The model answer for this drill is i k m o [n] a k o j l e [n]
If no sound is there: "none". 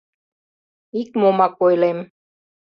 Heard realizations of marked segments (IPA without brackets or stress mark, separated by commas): m, m